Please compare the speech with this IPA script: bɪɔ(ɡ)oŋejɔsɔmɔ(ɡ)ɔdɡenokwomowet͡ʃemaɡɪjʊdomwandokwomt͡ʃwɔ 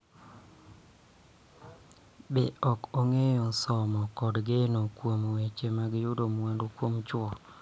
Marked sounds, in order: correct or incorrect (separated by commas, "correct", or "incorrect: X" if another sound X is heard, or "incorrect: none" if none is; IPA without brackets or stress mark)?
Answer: incorrect: k, incorrect: k